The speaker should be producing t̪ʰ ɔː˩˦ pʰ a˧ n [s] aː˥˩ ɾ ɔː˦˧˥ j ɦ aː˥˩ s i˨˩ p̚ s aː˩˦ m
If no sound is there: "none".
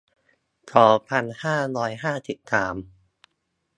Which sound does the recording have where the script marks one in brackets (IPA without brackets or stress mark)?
h